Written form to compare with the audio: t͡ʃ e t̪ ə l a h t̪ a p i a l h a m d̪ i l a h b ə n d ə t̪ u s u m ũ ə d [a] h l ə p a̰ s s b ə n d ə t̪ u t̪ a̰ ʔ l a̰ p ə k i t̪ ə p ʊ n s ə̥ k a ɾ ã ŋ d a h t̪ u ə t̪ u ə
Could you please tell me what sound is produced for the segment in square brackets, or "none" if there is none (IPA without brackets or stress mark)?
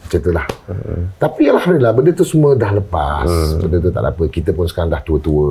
a